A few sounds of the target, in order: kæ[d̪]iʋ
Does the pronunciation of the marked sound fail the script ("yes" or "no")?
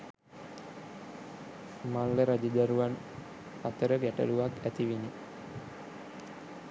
yes